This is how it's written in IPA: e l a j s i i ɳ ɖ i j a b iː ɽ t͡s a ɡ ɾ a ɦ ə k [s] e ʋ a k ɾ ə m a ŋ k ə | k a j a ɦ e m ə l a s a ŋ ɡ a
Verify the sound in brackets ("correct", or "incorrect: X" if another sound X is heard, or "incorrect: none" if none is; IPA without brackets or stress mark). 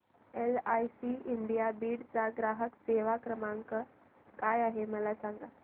correct